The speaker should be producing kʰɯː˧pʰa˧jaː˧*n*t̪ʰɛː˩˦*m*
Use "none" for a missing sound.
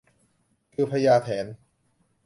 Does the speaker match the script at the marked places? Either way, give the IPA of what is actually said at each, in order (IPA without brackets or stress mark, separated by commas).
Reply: none, n